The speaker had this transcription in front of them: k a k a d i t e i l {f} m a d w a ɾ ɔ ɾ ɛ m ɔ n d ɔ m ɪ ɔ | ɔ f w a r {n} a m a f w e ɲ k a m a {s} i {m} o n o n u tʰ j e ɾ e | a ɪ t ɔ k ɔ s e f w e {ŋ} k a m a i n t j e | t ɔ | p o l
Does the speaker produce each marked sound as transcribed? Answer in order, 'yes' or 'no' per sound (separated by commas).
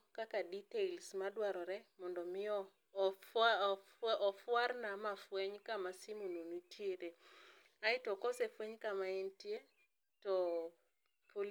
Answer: no, yes, yes, yes, no